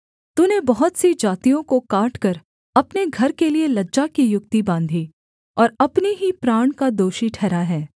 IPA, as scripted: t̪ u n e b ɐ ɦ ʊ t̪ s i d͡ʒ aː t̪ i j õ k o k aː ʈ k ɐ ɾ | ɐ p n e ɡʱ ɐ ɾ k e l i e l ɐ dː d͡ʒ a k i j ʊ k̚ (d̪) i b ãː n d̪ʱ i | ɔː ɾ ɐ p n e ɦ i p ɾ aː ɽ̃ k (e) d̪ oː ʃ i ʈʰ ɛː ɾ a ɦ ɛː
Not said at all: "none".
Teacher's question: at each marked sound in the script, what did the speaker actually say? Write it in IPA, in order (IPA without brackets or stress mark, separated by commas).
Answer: t̪, a